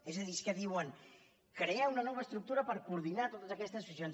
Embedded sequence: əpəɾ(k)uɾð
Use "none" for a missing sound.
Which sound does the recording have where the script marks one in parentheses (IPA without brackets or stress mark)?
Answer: k